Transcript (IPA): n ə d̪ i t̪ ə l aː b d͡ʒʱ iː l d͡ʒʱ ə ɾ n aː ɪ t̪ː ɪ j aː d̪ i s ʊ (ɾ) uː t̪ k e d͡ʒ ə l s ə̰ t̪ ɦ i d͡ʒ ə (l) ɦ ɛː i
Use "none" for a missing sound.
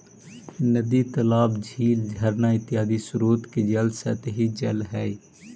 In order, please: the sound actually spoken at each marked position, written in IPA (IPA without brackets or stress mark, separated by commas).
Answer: ɾ, l